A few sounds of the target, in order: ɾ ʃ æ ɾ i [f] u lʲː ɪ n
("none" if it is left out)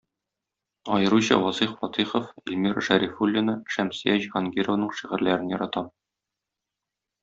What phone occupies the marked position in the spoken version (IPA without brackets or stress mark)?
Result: f